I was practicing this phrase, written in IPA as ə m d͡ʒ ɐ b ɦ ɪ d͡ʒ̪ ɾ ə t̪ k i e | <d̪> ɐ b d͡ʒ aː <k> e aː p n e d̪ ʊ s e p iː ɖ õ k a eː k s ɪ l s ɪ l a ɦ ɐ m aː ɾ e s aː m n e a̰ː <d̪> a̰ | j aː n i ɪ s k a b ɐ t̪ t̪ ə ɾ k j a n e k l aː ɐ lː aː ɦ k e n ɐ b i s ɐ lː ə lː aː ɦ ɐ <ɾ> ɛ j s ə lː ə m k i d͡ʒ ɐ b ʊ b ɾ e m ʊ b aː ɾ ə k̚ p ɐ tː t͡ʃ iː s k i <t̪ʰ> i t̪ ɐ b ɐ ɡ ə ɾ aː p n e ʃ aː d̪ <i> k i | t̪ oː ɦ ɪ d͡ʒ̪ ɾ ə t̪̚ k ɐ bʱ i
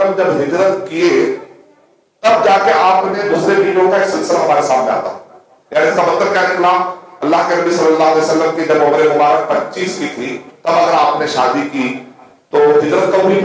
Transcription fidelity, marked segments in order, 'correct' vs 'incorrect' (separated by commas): incorrect, correct, incorrect, incorrect, correct, correct